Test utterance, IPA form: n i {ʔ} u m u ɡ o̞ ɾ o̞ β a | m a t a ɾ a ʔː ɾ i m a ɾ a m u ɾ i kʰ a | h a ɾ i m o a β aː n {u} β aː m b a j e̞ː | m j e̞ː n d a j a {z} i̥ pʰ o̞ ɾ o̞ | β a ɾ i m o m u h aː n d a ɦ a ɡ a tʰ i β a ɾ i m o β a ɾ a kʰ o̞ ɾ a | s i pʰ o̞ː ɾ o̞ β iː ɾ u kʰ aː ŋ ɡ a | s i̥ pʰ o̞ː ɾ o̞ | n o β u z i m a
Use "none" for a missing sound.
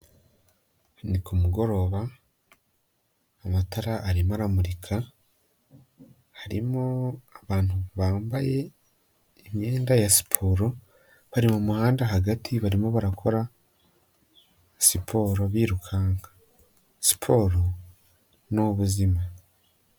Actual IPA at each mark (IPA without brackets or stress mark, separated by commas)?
k, u, s